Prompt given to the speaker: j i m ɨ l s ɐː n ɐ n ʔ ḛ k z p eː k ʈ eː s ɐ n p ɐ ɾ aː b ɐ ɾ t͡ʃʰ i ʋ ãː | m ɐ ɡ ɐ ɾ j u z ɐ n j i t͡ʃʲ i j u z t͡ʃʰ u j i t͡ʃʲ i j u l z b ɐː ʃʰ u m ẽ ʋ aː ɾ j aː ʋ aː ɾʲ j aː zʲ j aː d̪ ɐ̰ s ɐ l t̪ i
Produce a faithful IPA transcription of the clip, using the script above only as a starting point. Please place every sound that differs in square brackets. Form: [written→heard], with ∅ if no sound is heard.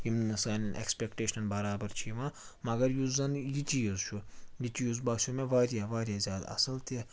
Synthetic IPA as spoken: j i m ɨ [l→∅] s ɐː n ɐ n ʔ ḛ k [z→s] p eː k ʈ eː [s→ʃ] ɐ n [p→b] ɐ ɾ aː b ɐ ɾ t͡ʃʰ i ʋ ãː | m ɐ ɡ ɐ ɾ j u z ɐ n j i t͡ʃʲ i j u z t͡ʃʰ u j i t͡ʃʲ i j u [l→∅] z b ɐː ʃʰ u m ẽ ʋ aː ɾ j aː ʋ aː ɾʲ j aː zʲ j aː d̪ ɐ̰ s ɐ l t̪ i